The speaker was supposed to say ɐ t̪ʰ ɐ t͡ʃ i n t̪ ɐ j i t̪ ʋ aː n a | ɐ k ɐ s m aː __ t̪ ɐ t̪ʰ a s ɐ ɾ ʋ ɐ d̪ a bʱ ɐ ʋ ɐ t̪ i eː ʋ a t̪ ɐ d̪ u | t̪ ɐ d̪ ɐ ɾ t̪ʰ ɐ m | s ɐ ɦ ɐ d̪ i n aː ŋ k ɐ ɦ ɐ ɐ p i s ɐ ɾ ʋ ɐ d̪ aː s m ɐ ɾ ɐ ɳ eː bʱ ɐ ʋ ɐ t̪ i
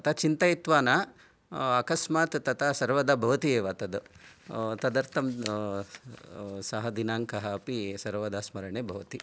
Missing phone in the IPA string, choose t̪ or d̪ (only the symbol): t̪